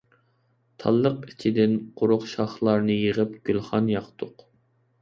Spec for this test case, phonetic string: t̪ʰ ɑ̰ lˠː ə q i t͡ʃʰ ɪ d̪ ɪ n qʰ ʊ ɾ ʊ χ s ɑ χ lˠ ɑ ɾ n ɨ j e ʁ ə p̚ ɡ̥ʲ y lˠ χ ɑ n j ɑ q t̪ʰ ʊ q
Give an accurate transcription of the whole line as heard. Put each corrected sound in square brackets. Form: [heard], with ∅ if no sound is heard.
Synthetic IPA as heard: t̪ʰ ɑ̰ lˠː ə q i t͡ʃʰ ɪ d̪ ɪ n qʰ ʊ ɾ ʊ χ [ʃ] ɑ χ lˠ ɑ ɾ n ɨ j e ʁ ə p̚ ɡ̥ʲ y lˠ χ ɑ n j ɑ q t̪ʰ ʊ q